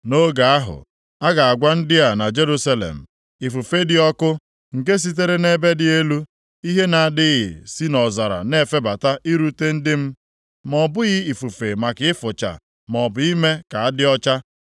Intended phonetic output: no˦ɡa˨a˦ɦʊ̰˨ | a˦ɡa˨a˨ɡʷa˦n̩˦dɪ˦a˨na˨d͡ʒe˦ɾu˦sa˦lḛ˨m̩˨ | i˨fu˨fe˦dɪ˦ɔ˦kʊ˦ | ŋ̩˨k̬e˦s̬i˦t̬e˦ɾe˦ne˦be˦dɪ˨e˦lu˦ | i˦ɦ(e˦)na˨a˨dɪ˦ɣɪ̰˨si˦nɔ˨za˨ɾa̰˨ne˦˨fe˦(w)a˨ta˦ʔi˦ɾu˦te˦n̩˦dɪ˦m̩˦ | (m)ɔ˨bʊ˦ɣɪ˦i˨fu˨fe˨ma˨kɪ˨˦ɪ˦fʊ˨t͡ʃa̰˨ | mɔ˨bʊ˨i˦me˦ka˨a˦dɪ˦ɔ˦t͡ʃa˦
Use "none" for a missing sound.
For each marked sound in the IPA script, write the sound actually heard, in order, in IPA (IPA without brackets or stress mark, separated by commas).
e˦, b, m